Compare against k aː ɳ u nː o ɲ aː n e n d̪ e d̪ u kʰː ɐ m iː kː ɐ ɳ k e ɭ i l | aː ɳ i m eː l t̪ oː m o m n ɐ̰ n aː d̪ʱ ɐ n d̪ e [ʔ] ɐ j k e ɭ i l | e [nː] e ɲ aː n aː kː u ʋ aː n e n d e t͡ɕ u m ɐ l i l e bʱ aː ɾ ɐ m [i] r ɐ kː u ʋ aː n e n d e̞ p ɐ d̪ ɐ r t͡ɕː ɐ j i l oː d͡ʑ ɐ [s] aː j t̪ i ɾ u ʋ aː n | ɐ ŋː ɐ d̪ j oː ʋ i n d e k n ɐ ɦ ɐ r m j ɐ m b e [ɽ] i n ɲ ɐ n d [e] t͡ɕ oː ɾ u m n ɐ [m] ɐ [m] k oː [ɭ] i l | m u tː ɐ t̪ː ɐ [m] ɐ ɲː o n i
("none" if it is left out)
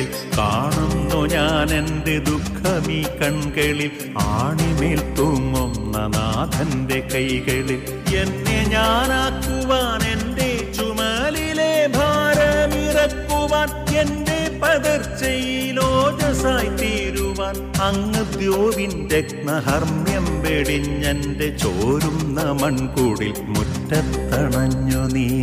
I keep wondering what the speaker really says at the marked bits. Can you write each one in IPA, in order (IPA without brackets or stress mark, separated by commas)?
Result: k, nː, i, s, ɽ, e, m, ɳ, ɽ, ɳ